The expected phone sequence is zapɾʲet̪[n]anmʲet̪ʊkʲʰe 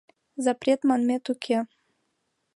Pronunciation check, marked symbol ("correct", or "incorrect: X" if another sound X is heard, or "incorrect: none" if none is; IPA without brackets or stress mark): incorrect: m